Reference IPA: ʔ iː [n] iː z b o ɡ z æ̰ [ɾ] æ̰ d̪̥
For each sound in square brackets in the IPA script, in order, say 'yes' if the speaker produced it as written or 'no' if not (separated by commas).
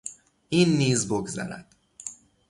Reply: no, yes